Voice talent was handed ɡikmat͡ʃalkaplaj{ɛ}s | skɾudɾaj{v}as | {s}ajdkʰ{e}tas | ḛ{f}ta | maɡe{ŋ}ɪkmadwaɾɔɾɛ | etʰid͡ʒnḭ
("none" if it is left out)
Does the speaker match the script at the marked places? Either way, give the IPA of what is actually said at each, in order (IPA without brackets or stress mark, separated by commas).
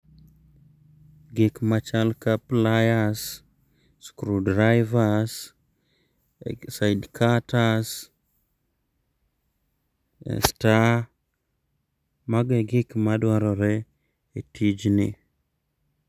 a, v, s, a, s, ɡ